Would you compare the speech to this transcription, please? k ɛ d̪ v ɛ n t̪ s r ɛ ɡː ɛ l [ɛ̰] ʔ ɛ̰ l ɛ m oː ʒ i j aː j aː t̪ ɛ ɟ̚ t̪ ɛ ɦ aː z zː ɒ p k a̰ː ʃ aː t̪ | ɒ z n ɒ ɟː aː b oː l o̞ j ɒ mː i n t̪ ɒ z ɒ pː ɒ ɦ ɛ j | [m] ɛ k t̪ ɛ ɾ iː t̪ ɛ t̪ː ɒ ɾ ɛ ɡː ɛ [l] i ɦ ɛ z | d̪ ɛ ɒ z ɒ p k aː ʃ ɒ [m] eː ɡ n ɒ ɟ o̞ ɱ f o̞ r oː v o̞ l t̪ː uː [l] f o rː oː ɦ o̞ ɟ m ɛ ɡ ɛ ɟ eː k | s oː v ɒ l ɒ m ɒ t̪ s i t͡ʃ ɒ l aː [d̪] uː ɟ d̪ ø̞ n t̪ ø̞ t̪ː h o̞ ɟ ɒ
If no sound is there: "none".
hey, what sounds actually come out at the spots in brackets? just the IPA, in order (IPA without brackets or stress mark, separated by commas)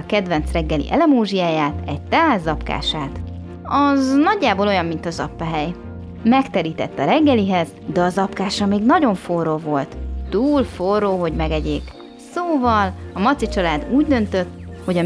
ḭ, m, l, m, l, d̪